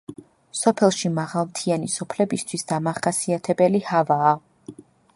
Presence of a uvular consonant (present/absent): present